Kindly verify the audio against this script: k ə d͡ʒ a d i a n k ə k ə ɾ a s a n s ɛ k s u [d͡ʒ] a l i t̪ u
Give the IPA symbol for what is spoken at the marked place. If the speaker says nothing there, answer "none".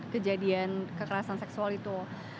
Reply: none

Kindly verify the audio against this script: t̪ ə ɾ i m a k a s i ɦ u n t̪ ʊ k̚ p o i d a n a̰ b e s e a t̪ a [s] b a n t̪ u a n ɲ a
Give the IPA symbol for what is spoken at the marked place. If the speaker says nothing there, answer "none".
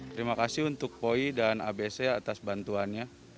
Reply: s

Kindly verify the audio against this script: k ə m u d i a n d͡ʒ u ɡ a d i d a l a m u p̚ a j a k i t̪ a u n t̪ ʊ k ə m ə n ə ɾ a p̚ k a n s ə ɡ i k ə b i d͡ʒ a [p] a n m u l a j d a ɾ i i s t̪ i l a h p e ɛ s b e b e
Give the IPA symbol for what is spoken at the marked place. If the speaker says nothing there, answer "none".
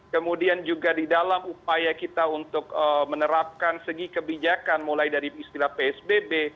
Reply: k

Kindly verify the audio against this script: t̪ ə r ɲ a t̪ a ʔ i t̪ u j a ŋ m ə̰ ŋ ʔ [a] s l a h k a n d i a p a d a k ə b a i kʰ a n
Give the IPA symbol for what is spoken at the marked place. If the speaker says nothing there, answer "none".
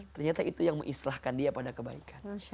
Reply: i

